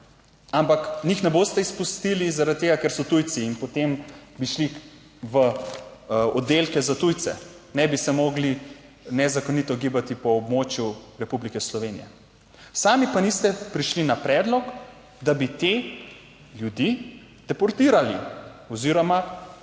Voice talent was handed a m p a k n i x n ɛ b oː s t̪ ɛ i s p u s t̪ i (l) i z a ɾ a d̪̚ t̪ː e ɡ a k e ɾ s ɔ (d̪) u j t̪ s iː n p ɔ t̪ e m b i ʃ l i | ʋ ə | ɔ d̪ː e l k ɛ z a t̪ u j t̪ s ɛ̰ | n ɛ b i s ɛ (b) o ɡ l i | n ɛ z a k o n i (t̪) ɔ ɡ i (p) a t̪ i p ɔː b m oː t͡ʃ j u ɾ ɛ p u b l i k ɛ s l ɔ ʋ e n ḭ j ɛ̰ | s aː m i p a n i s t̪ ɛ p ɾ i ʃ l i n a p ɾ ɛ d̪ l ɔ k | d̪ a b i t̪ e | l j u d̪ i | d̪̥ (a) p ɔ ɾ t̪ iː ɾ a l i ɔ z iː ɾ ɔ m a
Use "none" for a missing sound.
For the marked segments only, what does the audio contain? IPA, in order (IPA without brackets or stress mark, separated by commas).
l, t̪, m, t̪, b, ɛ